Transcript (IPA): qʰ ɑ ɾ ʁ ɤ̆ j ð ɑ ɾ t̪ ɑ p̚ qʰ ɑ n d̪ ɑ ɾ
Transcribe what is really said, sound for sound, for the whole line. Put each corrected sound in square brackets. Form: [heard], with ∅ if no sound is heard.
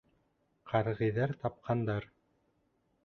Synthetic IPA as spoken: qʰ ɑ ɾ ʁ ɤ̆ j ð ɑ ɾ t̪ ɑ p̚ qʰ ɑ n d̪ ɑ ɾ